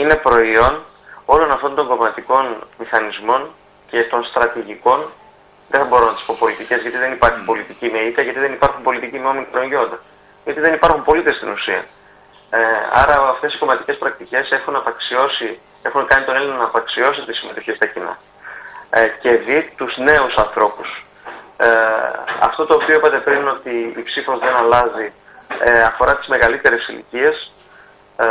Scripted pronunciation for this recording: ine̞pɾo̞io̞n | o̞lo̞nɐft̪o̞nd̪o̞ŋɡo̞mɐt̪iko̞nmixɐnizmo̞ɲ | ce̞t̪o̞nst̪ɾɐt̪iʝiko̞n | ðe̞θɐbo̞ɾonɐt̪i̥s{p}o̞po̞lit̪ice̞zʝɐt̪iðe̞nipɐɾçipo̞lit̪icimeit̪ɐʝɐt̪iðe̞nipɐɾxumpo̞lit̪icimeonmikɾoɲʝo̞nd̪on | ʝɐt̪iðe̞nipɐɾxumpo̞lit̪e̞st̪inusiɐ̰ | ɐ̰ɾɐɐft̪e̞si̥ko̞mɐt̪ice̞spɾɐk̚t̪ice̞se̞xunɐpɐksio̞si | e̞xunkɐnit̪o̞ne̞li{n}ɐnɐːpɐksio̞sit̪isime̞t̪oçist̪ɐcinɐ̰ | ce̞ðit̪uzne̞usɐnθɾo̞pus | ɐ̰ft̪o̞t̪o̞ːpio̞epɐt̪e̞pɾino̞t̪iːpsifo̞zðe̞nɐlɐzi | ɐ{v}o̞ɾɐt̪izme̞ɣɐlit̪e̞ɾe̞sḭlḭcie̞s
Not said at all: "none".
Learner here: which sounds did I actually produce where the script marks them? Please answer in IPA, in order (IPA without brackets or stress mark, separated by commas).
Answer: p, n, f